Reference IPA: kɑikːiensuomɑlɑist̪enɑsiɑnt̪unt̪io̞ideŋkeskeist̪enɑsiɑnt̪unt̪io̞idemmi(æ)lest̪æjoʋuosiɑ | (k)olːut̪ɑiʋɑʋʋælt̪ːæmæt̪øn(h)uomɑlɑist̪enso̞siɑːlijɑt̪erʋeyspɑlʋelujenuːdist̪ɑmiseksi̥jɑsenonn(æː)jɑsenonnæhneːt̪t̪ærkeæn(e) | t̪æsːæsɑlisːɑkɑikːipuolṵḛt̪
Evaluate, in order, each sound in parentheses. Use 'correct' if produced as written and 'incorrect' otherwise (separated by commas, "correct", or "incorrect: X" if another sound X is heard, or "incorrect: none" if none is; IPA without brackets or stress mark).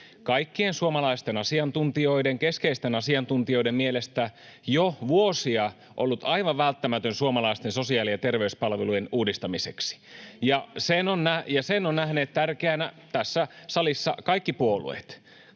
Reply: incorrect: e, incorrect: ʔ, incorrect: s, incorrect: æ, incorrect: æ